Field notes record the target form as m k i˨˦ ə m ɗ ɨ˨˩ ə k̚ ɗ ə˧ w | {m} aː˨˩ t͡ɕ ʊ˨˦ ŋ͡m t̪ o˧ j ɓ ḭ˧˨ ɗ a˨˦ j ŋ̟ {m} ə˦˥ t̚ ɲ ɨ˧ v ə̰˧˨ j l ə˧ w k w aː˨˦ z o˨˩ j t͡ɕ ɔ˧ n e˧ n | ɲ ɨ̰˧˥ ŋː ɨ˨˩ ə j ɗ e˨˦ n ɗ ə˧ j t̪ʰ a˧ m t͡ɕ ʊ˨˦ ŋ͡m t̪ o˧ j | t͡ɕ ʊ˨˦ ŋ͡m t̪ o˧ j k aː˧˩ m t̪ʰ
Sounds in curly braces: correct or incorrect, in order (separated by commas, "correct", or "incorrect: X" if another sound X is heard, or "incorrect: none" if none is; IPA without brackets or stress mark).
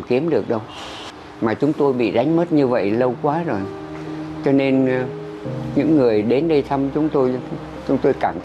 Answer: correct, correct